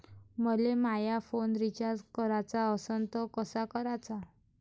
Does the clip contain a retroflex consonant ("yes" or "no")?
no